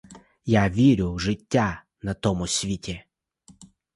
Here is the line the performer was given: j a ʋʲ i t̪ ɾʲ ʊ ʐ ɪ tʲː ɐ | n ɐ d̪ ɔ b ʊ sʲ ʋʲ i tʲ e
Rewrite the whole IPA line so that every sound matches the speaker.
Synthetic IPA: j a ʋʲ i ɾʲ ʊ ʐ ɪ tʲː a | n ɐ t̪ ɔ m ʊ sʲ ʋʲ i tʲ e